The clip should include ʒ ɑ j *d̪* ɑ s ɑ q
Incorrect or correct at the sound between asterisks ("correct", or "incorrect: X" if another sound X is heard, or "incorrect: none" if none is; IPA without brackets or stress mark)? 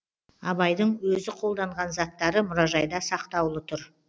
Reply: correct